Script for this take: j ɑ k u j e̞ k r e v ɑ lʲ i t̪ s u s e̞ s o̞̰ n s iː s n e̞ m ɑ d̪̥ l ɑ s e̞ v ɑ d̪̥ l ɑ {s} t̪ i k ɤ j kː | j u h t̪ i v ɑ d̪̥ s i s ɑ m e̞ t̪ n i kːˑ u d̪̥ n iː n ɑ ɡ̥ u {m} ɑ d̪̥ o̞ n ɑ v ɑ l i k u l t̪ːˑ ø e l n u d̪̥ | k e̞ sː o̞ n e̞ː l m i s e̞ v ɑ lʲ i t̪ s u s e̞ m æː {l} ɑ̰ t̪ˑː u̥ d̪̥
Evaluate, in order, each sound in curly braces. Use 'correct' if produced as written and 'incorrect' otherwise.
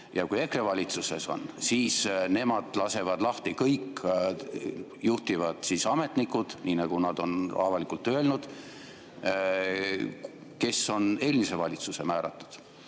incorrect: h, incorrect: n, incorrect: ɾ

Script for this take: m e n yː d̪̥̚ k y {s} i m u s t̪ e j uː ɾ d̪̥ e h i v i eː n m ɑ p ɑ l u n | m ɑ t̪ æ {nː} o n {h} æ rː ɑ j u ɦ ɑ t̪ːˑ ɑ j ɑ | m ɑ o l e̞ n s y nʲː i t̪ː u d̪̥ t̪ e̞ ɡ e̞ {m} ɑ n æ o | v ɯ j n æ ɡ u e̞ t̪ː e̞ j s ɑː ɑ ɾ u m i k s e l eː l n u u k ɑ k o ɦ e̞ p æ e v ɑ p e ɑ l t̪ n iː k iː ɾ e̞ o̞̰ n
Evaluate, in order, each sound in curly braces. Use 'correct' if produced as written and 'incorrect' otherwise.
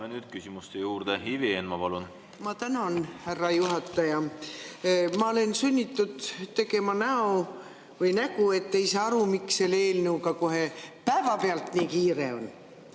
correct, incorrect: n, correct, correct

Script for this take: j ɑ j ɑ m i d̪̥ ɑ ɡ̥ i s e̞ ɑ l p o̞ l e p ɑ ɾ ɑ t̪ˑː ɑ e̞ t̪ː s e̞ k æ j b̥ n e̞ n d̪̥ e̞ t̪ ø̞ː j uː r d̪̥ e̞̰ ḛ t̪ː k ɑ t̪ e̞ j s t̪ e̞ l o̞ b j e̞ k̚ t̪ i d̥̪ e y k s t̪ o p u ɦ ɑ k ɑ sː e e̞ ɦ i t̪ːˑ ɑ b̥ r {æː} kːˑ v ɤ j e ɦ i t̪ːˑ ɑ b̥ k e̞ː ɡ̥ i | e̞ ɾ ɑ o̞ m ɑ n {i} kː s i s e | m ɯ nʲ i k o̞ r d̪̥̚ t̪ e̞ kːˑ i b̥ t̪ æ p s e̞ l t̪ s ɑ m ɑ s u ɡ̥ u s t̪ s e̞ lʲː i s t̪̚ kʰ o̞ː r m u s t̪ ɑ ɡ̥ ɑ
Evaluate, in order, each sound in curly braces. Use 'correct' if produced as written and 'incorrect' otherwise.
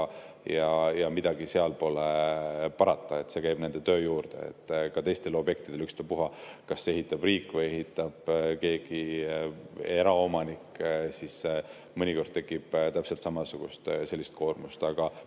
incorrect: iː, correct

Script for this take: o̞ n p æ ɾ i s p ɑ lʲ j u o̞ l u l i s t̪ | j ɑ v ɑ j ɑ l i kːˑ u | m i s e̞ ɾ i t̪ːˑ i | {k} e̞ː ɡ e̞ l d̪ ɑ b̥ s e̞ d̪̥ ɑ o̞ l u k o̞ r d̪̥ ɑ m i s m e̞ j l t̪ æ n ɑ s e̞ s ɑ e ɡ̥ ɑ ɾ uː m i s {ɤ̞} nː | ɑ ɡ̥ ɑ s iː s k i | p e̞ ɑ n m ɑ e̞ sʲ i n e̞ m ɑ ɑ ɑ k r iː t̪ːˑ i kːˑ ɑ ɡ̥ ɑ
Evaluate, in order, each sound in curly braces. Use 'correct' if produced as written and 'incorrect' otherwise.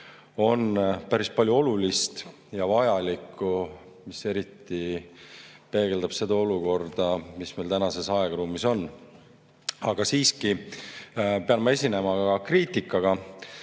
incorrect: p, incorrect: o̞

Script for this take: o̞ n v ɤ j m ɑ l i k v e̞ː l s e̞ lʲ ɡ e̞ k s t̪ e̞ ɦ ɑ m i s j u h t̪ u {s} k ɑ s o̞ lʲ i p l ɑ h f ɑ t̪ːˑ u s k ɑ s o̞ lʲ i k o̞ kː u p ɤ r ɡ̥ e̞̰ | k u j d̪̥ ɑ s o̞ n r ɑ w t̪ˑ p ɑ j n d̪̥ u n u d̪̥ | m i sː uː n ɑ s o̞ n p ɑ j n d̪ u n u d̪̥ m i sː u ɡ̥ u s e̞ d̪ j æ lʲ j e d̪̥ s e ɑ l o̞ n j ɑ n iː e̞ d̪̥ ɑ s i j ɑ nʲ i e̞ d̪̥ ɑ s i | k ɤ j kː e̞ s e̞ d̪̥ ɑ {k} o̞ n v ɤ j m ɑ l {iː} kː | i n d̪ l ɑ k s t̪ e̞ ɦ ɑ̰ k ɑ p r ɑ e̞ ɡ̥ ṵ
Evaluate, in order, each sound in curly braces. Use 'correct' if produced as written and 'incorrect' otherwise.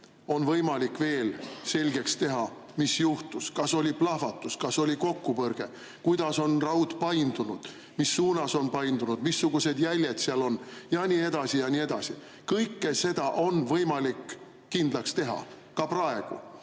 correct, incorrect: ʔ, incorrect: i

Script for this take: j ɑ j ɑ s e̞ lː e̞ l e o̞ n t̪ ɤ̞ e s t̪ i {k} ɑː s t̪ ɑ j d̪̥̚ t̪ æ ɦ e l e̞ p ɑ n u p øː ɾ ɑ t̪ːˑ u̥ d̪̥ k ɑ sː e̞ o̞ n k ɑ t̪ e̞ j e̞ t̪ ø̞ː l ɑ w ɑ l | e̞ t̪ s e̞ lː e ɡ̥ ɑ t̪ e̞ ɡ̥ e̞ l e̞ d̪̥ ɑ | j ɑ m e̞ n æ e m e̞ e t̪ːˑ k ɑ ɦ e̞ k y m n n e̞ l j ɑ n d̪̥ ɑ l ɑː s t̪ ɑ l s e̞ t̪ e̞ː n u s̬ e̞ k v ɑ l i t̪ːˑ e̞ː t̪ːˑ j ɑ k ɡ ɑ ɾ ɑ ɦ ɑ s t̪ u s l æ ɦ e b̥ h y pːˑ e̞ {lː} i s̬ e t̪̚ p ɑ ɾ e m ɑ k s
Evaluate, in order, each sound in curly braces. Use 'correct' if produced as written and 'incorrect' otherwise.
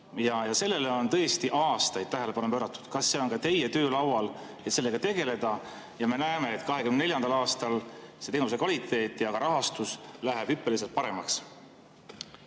incorrect: ʔ, incorrect: l

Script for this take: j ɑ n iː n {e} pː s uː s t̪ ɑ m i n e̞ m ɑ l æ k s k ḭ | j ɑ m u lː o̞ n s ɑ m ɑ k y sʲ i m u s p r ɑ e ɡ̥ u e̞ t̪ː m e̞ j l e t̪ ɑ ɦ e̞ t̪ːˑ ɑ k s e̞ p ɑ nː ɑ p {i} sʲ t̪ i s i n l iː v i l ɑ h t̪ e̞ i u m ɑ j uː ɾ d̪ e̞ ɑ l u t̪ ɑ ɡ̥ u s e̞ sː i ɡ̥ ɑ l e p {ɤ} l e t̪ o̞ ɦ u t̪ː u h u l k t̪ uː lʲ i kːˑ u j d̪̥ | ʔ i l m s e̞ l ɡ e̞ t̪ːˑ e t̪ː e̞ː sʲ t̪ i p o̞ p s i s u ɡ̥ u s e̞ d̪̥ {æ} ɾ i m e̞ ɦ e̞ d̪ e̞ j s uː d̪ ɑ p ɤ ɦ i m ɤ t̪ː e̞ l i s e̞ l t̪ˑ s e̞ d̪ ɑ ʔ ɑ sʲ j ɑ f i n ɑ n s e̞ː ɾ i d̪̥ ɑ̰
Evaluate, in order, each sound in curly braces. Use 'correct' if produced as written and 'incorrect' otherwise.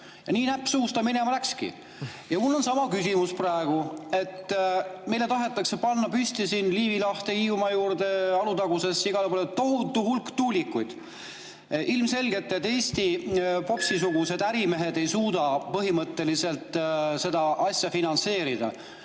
incorrect: æ, incorrect: y, incorrect: o, correct

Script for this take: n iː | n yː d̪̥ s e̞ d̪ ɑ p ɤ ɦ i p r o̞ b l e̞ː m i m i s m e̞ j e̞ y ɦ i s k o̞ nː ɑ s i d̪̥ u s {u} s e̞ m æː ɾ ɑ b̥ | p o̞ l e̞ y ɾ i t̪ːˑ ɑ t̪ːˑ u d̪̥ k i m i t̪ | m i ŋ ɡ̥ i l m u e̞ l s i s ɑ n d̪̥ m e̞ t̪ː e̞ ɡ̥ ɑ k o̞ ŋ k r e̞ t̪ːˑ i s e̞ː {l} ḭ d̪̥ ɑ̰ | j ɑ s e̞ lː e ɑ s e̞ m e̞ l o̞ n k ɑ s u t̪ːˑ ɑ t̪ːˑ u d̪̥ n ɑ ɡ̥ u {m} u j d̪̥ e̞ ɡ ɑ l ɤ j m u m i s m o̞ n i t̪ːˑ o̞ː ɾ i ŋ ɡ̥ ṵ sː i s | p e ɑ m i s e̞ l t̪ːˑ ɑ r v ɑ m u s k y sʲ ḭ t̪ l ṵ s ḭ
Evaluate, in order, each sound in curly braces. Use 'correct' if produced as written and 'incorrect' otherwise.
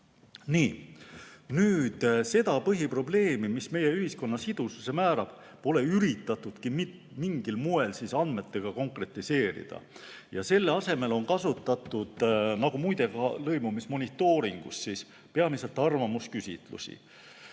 correct, incorrect: ɾ, correct

